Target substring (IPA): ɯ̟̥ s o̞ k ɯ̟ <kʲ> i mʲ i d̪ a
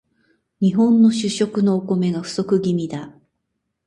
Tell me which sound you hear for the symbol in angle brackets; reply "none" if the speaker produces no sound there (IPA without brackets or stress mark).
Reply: ɡʲ